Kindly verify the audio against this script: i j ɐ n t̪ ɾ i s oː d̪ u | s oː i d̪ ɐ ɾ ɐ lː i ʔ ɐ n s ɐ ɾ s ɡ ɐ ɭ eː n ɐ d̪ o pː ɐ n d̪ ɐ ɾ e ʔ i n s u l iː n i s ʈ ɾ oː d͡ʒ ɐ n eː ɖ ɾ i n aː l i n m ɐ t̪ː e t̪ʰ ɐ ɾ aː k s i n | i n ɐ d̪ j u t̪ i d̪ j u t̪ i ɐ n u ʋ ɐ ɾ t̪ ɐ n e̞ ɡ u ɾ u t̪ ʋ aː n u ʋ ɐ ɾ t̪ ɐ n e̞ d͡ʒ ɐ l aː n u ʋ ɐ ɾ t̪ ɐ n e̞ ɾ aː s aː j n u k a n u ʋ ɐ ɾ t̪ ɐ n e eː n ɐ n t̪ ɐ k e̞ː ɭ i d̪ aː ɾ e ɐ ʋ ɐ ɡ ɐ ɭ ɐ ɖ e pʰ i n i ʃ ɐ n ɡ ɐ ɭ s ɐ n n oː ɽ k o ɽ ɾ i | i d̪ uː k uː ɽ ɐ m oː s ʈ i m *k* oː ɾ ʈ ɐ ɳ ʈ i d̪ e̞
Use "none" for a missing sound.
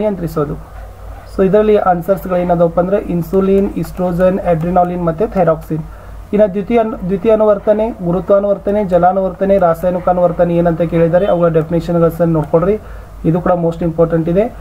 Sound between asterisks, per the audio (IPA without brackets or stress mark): p